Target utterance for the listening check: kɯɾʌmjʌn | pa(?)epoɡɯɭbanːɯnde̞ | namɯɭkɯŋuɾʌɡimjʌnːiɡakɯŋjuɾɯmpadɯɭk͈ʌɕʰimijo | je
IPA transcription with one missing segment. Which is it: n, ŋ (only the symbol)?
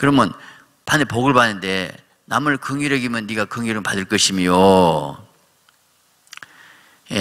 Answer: n